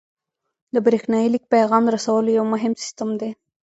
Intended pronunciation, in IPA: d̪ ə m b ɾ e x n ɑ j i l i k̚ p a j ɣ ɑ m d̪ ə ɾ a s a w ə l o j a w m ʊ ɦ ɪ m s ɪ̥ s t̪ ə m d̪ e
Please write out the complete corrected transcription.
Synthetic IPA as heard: d̪ ə b ɾ e x n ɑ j i l i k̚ p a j ɣ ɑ m d̪ ə ɾ a s a w ə l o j a w m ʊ ɦ ɪ m s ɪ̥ s t̪ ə m d̪ e